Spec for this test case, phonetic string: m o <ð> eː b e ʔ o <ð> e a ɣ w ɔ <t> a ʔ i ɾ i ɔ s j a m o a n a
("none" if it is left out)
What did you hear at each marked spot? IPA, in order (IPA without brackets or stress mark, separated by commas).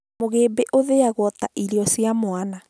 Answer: ɣ, ð, t